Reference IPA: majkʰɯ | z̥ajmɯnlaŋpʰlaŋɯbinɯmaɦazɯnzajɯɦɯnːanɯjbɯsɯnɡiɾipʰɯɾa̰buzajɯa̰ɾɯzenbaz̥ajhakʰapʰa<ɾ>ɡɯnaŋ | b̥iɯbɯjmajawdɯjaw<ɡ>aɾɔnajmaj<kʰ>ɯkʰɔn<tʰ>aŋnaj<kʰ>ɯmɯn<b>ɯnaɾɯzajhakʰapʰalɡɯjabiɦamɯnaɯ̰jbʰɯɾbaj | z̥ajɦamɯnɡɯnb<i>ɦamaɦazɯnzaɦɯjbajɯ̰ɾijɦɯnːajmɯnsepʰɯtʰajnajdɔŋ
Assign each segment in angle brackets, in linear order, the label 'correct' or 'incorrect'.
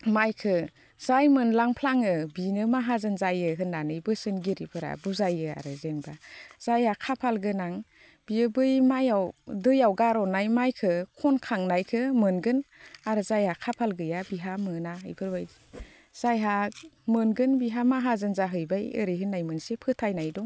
incorrect, correct, correct, incorrect, correct, incorrect, correct

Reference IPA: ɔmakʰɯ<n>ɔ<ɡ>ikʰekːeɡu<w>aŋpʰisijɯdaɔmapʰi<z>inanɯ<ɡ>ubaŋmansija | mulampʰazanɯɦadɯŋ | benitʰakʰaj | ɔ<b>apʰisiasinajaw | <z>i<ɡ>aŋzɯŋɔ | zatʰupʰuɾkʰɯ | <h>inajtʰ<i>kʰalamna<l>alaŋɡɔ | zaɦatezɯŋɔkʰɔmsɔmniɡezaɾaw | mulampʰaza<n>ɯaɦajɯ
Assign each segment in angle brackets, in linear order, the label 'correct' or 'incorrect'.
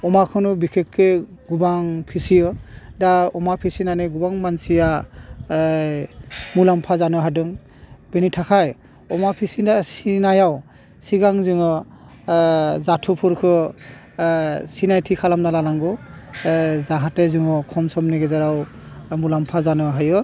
correct, incorrect, incorrect, incorrect, correct, incorrect, incorrect, correct, incorrect, correct, correct, correct

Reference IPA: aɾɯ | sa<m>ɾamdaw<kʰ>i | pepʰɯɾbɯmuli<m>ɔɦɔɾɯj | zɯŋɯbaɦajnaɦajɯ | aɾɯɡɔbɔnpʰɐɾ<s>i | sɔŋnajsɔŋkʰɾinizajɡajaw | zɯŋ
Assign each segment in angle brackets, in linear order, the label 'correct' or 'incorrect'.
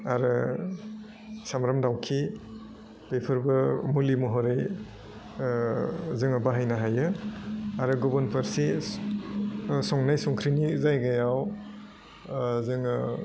correct, correct, correct, correct

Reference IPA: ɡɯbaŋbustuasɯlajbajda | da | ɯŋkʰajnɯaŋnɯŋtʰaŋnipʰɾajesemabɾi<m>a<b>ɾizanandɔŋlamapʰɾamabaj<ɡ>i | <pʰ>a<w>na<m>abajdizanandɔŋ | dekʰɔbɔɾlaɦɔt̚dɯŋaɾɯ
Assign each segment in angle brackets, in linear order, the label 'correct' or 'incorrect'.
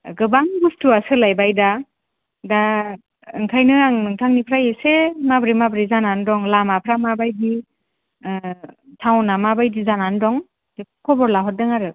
correct, correct, incorrect, incorrect, correct, correct

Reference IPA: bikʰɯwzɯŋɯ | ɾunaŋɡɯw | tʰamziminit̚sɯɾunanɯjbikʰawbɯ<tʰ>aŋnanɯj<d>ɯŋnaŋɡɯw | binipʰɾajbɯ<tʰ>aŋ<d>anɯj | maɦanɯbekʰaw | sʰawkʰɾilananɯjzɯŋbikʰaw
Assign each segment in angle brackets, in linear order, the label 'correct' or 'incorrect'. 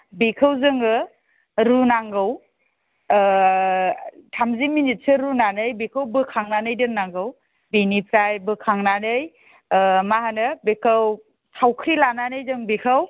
incorrect, correct, incorrect, incorrect

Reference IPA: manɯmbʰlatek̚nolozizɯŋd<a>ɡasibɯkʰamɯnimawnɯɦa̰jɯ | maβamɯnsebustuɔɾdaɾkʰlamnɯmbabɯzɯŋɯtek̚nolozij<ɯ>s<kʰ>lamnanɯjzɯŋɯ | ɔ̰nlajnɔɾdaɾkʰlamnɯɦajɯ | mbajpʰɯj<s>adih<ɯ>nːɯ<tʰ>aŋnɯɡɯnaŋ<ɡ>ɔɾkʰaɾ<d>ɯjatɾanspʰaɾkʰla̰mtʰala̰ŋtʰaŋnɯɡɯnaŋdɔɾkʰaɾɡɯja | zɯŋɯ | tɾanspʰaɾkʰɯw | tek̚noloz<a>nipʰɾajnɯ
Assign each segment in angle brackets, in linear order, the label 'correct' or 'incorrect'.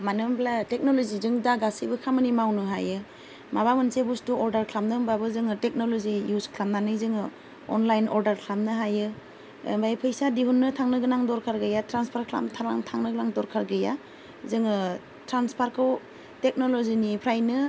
correct, incorrect, correct, correct, incorrect, correct, incorrect, incorrect, incorrect

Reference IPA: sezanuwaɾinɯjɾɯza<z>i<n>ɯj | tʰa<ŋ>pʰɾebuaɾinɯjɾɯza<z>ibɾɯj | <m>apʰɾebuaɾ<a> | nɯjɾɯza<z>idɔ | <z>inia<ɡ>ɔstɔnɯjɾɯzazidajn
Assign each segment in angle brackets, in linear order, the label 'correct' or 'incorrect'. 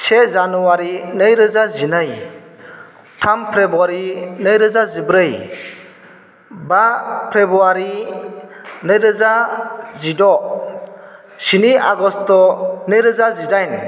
correct, correct, incorrect, correct, incorrect, incorrect, correct, incorrect, correct

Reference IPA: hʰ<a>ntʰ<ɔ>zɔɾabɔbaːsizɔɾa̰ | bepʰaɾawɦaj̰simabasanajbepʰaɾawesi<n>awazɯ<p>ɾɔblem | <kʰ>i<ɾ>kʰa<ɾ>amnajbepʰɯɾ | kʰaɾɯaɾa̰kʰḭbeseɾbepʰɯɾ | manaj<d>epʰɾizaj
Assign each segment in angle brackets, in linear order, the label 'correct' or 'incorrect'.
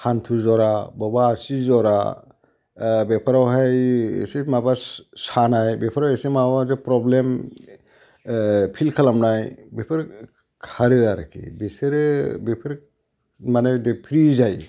correct, incorrect, incorrect, correct, incorrect, incorrect, incorrect, correct

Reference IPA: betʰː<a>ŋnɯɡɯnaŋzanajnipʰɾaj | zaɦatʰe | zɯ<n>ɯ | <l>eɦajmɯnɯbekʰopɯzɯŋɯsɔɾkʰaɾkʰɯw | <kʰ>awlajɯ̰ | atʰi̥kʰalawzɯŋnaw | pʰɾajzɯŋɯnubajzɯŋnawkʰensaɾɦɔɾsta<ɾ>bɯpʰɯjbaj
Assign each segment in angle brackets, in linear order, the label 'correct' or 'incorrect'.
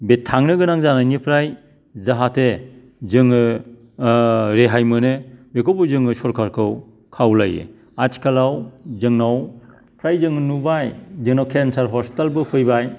correct, incorrect, incorrect, correct, incorrect

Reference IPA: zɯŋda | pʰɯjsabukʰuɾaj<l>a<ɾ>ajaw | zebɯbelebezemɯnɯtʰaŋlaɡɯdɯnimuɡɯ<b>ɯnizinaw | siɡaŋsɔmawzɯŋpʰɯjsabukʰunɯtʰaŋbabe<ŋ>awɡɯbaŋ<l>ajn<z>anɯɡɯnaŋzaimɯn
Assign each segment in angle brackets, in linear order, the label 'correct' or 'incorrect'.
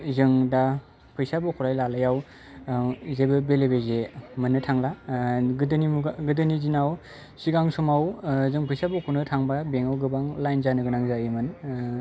correct, incorrect, incorrect, correct, correct, correct

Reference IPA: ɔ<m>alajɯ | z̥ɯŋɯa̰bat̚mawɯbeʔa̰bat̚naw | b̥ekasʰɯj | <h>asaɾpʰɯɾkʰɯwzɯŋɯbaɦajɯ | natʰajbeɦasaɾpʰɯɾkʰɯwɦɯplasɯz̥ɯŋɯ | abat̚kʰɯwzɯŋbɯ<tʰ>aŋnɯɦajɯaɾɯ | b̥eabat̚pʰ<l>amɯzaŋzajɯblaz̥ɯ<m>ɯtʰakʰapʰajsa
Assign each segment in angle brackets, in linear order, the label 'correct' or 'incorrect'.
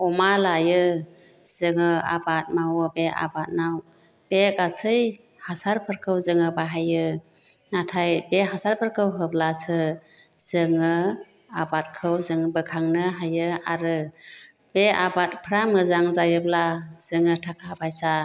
correct, correct, incorrect, incorrect, incorrect

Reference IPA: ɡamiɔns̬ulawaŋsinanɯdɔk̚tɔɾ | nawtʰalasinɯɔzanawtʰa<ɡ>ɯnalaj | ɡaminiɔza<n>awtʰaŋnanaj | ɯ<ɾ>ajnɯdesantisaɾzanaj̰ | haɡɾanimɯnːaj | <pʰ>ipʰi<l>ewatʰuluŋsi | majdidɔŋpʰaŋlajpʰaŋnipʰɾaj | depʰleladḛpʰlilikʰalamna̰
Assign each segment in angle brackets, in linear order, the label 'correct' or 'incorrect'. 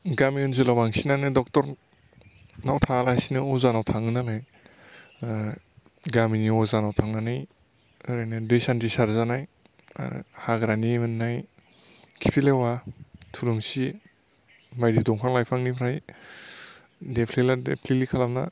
incorrect, correct, correct, incorrect, correct

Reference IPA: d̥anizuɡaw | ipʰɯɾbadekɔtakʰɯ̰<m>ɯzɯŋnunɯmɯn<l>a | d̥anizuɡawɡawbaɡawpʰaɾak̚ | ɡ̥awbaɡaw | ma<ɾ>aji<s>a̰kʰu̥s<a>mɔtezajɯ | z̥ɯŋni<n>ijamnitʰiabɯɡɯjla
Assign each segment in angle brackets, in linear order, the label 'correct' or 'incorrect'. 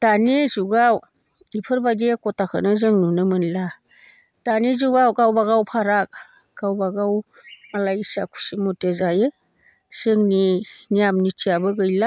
incorrect, correct, incorrect, correct, incorrect, correct

